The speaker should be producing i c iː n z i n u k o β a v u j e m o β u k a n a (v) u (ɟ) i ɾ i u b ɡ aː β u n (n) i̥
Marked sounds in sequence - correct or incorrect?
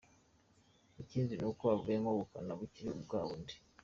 incorrect, incorrect, incorrect

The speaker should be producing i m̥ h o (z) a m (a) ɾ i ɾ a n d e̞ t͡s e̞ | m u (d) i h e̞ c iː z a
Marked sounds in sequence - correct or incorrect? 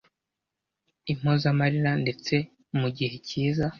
correct, correct, incorrect

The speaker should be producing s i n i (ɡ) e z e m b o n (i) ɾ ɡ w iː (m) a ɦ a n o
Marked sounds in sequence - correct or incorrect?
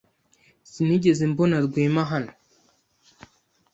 incorrect, incorrect, correct

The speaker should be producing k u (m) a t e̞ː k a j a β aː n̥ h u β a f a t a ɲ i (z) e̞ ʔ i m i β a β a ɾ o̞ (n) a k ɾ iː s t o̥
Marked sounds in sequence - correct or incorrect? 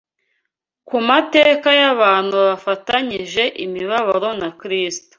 correct, incorrect, correct

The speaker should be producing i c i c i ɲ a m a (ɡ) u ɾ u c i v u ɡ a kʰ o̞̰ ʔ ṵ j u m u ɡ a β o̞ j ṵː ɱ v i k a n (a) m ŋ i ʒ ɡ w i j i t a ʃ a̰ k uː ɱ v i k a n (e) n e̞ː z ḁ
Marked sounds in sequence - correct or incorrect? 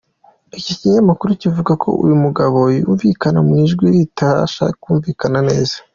incorrect, correct, incorrect

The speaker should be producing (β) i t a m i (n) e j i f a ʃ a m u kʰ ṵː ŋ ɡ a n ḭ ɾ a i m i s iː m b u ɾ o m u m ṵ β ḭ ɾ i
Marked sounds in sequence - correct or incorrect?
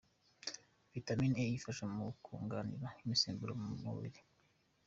incorrect, correct

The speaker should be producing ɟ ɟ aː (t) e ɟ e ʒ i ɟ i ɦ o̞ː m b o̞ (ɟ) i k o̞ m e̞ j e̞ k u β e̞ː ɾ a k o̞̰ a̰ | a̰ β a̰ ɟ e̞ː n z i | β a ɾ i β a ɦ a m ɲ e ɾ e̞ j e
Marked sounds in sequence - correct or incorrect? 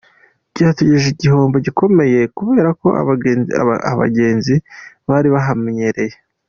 correct, correct

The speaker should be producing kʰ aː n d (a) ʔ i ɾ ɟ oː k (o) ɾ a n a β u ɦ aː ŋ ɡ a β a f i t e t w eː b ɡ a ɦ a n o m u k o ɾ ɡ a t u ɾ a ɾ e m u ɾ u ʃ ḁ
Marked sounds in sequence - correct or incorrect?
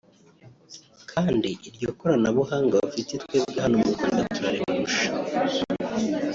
incorrect, correct

